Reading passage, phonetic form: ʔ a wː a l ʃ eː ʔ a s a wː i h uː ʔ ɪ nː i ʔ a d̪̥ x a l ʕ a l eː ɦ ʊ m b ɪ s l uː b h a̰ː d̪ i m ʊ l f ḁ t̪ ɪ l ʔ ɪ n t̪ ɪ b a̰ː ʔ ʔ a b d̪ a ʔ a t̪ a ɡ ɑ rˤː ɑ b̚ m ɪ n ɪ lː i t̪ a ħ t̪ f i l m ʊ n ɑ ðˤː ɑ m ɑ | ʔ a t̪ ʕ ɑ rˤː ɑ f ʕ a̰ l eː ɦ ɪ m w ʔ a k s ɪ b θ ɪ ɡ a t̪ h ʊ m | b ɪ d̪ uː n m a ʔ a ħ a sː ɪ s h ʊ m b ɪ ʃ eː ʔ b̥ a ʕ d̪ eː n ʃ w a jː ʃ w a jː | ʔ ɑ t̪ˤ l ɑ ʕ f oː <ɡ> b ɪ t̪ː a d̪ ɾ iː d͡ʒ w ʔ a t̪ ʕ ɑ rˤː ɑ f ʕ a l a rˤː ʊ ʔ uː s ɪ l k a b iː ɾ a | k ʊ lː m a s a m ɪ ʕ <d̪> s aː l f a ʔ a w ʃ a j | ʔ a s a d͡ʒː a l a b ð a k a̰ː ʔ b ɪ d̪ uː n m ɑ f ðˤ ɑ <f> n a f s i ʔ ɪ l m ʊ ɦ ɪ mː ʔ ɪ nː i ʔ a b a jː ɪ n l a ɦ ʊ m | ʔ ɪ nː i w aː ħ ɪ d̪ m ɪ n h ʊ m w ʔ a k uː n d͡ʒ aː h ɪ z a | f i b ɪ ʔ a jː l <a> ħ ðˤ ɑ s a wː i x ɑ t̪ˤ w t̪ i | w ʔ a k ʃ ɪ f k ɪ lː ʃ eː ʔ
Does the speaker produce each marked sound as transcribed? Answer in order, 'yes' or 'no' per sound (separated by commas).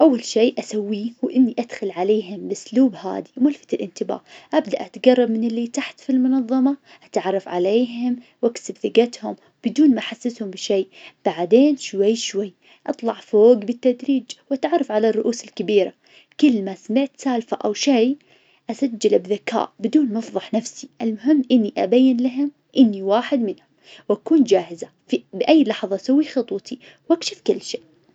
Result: yes, no, no, no